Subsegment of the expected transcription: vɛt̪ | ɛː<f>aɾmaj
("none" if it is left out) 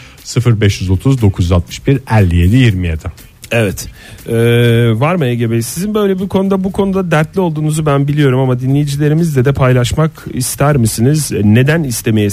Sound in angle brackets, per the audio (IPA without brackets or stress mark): v